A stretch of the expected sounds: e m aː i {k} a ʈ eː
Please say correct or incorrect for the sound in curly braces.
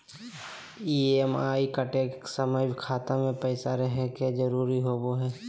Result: correct